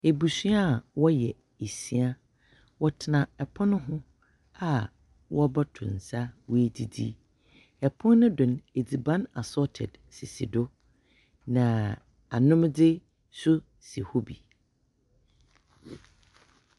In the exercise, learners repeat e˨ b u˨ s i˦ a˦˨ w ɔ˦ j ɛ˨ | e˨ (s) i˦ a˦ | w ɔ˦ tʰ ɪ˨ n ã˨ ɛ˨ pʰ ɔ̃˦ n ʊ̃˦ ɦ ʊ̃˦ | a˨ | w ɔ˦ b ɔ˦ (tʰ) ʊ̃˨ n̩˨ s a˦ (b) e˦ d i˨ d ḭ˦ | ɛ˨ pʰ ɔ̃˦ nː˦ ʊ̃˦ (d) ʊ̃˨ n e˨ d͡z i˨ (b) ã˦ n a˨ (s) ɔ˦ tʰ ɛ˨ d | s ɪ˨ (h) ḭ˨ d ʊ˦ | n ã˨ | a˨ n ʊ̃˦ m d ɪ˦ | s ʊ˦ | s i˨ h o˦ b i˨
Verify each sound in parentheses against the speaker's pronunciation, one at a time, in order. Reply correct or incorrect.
correct, correct, incorrect: w, correct, correct, correct, incorrect: s

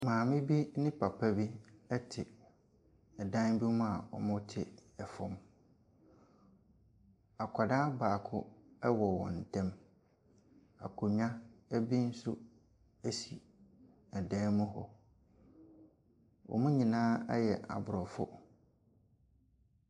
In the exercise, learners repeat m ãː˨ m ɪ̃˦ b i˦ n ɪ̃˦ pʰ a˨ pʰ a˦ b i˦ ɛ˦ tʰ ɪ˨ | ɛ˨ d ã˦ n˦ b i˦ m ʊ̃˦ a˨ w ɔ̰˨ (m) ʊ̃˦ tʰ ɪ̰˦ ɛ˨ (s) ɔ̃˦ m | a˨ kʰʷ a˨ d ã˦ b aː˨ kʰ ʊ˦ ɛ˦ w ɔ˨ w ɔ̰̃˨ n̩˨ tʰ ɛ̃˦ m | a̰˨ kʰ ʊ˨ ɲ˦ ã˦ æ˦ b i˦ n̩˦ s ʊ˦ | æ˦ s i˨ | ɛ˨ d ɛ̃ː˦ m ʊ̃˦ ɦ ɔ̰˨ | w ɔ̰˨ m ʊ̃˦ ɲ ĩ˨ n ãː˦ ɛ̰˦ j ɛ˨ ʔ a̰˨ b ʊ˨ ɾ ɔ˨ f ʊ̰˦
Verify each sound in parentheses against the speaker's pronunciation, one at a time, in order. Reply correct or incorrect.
correct, incorrect: f

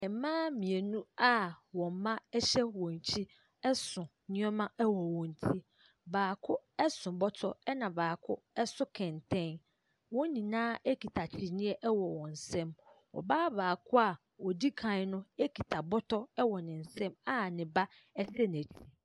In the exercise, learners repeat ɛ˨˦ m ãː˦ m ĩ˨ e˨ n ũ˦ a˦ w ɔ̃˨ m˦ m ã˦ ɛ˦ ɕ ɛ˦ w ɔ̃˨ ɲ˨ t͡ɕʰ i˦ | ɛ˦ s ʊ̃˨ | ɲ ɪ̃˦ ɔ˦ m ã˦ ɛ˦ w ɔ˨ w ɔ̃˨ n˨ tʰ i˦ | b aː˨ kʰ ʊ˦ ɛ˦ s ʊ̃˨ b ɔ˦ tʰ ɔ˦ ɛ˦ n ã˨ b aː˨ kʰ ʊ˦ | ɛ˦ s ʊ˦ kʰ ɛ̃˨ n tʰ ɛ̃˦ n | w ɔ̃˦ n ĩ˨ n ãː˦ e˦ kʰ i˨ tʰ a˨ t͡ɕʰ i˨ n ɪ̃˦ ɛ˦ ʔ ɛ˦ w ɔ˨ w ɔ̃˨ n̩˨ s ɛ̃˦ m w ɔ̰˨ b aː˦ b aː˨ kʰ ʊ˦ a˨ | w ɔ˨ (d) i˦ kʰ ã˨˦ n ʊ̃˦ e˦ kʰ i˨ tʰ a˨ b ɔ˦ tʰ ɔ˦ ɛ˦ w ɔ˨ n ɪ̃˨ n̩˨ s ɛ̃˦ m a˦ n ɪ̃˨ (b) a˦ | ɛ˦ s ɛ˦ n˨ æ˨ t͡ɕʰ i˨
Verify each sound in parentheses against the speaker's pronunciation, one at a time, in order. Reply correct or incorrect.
correct, correct

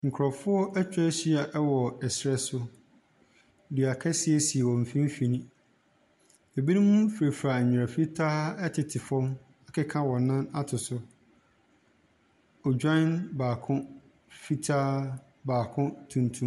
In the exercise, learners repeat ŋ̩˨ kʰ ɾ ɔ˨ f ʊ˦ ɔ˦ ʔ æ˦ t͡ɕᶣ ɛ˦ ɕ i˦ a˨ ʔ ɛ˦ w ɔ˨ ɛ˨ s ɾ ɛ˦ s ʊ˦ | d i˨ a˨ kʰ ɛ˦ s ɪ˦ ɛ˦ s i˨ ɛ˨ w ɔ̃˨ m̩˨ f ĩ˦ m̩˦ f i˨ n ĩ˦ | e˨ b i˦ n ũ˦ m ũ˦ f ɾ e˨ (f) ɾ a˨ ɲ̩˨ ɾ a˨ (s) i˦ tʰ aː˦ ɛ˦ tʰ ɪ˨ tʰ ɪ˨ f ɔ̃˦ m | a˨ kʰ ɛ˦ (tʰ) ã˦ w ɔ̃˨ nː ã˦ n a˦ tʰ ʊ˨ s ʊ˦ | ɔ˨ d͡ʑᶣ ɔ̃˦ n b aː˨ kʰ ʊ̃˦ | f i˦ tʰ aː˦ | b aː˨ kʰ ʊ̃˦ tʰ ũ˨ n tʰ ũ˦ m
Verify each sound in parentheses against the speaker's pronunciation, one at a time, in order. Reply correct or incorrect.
correct, incorrect: f, incorrect: kʰ

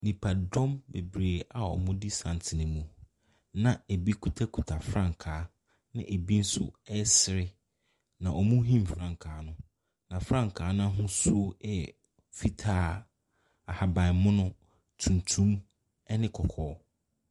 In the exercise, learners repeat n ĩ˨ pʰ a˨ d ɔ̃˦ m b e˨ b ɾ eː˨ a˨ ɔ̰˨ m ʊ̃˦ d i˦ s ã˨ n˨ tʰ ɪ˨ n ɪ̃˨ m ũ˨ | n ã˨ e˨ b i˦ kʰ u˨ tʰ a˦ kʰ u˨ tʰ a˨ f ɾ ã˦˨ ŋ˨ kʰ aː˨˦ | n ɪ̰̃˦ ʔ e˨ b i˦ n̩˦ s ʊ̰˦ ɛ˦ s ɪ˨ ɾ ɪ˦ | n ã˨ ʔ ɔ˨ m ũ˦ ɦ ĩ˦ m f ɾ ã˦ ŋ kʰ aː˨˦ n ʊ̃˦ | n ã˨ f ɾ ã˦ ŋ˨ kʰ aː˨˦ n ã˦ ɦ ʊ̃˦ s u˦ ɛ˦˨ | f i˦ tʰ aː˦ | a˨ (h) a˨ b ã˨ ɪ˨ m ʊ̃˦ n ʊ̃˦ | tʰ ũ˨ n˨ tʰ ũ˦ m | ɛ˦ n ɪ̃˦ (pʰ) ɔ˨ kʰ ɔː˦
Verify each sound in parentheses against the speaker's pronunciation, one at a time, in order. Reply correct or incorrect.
correct, incorrect: kʰ

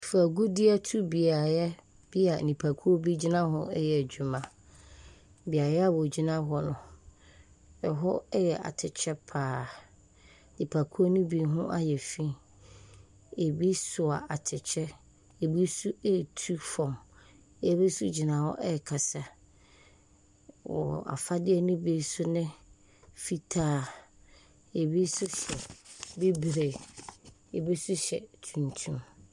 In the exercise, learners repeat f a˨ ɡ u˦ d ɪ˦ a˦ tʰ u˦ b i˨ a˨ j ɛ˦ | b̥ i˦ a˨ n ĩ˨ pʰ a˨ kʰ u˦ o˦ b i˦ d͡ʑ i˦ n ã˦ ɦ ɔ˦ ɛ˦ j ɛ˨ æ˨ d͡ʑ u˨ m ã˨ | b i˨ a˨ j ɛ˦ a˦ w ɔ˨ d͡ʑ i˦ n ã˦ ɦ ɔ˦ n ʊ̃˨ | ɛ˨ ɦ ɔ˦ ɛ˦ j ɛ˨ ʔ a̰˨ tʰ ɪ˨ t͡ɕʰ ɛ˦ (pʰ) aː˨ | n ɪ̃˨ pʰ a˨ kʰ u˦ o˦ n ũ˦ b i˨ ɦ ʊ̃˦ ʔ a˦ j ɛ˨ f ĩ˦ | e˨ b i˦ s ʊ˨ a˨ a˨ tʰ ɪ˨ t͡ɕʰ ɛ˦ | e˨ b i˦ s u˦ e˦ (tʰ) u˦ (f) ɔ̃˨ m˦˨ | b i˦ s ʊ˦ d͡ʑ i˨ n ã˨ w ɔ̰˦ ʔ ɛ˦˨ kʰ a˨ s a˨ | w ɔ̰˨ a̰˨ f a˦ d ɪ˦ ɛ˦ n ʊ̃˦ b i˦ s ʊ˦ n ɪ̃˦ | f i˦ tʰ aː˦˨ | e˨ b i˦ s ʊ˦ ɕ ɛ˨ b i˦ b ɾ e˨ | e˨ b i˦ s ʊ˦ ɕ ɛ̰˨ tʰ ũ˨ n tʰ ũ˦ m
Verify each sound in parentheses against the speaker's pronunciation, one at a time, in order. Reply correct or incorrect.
correct, correct, correct

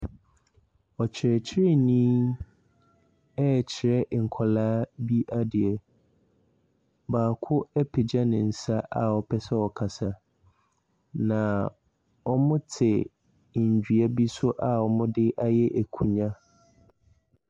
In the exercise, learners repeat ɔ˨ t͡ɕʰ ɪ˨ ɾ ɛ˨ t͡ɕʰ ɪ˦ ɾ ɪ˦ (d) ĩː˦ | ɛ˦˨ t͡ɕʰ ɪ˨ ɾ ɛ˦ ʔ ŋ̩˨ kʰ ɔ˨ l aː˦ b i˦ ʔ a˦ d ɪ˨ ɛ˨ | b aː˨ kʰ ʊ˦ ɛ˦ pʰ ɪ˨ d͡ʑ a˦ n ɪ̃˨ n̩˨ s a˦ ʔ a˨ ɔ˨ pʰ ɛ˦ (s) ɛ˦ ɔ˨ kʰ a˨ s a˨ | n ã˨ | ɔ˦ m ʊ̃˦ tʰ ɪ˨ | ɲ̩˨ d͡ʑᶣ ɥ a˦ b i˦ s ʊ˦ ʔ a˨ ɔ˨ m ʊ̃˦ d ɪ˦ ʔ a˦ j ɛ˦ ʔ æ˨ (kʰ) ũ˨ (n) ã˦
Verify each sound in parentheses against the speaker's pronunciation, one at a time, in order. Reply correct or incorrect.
incorrect: n, correct, correct, incorrect: ɲ

